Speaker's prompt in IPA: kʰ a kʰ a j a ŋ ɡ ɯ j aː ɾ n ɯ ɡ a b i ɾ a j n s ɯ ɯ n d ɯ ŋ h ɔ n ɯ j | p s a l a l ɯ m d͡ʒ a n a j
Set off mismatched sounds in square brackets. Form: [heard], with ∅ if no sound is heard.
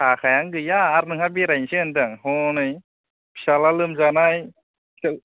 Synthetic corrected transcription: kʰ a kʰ a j a ŋ ɡ ɯ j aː ɾ n ɯ [ŋ] a b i ɾ a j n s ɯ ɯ n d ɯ ŋ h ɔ n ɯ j | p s a l a l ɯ m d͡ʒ a n a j